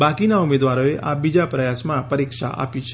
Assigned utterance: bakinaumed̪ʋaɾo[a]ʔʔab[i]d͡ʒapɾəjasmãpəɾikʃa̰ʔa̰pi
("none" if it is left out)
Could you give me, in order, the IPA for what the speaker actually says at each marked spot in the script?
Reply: e, i

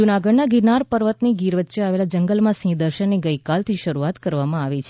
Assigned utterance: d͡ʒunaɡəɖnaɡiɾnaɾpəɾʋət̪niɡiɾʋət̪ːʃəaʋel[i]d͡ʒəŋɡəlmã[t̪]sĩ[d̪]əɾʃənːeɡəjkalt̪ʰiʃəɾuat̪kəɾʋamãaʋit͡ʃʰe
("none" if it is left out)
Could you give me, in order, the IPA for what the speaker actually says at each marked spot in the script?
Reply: a, none, d̪

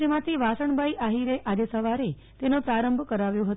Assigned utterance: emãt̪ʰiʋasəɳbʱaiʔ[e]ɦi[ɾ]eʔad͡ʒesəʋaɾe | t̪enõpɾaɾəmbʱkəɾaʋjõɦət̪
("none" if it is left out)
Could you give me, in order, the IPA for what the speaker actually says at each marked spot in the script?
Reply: a, ɾ

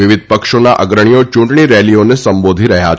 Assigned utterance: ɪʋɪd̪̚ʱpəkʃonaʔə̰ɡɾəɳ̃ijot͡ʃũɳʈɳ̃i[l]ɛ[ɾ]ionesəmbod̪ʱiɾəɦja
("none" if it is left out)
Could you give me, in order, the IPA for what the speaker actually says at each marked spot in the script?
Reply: ɾ, l

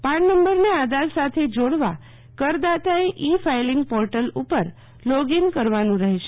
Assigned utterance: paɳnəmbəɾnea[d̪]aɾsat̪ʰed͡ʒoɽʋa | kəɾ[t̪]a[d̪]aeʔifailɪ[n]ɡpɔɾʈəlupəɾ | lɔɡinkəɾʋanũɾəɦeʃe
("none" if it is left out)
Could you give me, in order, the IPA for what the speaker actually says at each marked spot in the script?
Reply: d̪, d̪, t̪, ŋ

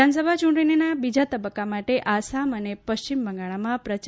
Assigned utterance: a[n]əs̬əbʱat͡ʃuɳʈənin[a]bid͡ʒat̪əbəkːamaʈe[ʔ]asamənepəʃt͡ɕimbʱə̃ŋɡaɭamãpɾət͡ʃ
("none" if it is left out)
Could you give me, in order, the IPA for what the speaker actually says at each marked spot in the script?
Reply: n, a, ʔ

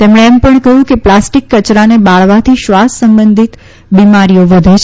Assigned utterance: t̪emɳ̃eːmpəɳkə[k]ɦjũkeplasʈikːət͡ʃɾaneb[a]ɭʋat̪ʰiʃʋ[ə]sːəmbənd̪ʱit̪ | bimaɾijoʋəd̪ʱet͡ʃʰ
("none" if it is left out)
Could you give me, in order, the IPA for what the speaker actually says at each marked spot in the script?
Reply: none, a, a

